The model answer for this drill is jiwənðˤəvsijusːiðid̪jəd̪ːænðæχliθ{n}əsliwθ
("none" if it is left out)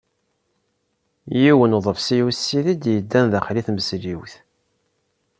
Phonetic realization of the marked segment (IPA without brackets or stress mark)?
m